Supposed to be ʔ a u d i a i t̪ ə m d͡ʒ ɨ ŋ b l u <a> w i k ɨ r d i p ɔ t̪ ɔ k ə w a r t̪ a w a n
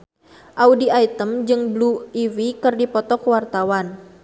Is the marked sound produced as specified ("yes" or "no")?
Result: no